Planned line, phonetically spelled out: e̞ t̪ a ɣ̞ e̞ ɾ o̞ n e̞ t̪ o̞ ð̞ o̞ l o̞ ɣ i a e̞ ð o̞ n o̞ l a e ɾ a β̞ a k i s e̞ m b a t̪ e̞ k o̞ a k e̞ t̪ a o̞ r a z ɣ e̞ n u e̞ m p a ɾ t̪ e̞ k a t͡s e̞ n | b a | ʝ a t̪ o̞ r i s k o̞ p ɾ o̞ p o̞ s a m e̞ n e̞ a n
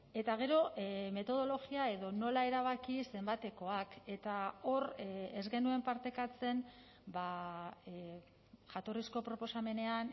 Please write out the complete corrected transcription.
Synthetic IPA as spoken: e̞ t̪ a ɣ̞ e̞ ɾ o̞ m e̞ t̪ o̞ ð̞ o̞ l o̞ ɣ i a e̞ ð o̞ n o̞ l a e ɾ a β̞ a k i s e̞ m b a t̪ e̞ k o̞ a k e̞ t̪ a o̞ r e z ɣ e̞ n u e̞ m p a ɾ t̪ e̞ k a t͡s e̞ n | b a | ʝ a t̪ o̞ r i s k o̞ p ɾ o̞ p o̞ s a m e̞ n e̞ a n

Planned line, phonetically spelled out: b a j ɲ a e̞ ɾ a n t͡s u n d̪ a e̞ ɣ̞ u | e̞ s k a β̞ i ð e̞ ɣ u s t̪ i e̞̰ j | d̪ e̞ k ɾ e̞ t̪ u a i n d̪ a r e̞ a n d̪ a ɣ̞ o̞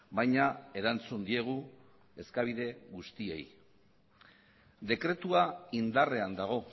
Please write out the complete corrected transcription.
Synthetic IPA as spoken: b a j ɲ a e̞ ɾ a n t͡s u n d̪ i e̞ ɣ̞ u | e̞ s k a β̞ i ð e̞ ɣ u s t̪ i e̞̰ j | d̪ e̞ k ɾ e̞ t̪ u a i n d̪ a r e̞ a n d̪ a ɣ̞ o̞

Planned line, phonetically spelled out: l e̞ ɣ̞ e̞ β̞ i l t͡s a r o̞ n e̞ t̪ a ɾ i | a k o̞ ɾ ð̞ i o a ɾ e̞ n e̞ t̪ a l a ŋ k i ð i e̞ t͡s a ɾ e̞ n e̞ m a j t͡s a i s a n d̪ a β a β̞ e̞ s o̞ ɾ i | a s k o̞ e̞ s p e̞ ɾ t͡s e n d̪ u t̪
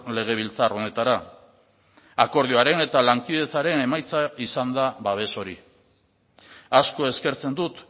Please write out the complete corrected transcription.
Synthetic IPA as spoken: l e̞ ɣ̞ e̞ β̞ i l t͡s a r o̞ n e̞ t̪ a ɾ a | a k o̞ ɾ ð̞ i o a ɾ e̞ n e̞ t̪ a l a ŋ k i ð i e̞ t͡s a ɾ e̞ n e̞ m a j t͡s a i s a n d̪ a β a β̞ e̞ s o̞ ɾ i | a s k o̞ e̞ s k e̞ ɾ t͡s e n d̪ u t̪

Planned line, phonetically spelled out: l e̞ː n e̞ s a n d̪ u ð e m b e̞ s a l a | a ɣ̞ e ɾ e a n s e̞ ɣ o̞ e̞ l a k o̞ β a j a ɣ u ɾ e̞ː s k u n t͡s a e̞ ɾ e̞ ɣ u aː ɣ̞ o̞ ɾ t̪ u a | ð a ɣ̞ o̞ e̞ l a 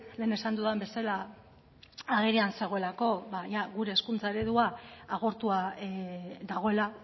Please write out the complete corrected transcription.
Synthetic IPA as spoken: l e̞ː n e̞ s a n d̪ u ð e m b e̞ s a l a | a ɣ̞ e ɾ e a n s e̞ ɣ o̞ e̞ l a k o̞ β a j a ɣ u ɾ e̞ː s k u n t͡s a e̞ ɾ e̞ ð u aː ɣ̞ o̞ ɾ t̪ u a | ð a ɣ̞ o̞ e̞ l a

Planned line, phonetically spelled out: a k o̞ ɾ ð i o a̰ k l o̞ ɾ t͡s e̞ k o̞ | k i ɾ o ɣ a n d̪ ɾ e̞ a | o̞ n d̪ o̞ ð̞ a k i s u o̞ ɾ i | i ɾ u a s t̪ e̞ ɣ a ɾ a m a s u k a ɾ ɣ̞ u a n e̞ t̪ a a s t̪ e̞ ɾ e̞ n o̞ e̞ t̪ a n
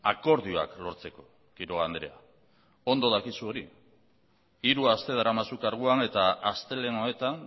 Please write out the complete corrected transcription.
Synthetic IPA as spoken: a k o̞ ɾ ð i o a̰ k l o̞ ɾ t͡s e̞ k o̞ | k i ɾ o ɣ a n d̪ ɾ e̞ a | o̞ n d̪ o̞ ð̞ a k i s u o̞ ɾ i | i ɾ u a s t̪ e̞ ð a ɾ a m a s u k a ɾ ɣ̞ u a n e̞ t̪ a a s t̪ e̞ l e̞ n o̞ e̞ t̪ a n

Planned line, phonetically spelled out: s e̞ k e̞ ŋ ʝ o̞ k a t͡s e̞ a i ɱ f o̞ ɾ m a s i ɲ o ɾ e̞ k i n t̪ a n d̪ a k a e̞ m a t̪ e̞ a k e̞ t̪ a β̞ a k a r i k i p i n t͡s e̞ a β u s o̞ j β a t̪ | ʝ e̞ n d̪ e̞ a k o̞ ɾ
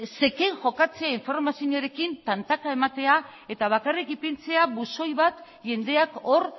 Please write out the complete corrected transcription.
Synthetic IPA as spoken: s e̞ k e̞ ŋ ʝ o̞ k a t͡s e̞ a i ɱ f o̞ ɾ m a s i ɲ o ɾ e̞ k i n t̪ a n t̪ a k a e̞ m a t̪ e̞ a e̞ t̪ a β̞ a k a r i k i p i n t͡s e̞ a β u s o̞ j β a t̪ | ʝ e̞ n d̪ e̞ a k o̞ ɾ

